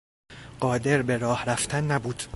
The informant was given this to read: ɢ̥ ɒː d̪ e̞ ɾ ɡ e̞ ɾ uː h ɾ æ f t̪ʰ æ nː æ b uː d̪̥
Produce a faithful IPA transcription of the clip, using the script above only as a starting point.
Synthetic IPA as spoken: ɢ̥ ɒː d̪ e̞ ɾ b e̞ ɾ ɒː h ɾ æ f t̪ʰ æ nː æ b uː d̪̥